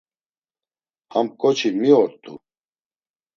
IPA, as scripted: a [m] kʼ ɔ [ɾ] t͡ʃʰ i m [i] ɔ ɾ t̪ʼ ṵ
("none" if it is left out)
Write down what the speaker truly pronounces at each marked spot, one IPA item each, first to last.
m, none, i

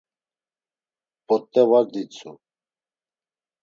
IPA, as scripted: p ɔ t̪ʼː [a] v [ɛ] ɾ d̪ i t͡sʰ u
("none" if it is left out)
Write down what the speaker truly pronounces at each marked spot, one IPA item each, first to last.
ɛ, a

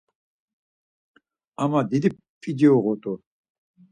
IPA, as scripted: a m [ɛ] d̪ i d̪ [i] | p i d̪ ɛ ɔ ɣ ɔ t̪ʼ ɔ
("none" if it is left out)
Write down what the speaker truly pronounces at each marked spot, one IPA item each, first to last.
a, i

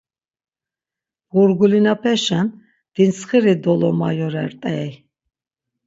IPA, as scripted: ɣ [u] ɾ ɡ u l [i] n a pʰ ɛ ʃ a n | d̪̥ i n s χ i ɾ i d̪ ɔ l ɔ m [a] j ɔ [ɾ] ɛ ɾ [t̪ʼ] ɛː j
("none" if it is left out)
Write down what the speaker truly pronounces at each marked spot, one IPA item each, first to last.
u, i, a, ɾ, t̪ʼ

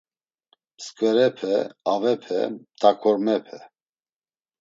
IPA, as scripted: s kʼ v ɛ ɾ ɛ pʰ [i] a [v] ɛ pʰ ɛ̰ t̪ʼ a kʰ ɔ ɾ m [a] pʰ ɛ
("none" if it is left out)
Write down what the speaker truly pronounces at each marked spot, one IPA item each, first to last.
ɛ, v, ɛ

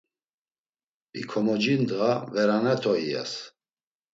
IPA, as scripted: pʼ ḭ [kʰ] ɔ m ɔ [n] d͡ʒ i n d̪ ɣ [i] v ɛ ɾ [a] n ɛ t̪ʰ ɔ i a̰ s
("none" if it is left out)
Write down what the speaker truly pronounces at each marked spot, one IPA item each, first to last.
kʰ, none, a, a

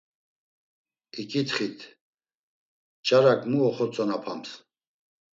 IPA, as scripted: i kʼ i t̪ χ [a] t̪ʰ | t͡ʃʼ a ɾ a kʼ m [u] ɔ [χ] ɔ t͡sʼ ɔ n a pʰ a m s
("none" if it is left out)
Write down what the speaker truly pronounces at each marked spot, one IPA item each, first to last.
i, u, χ

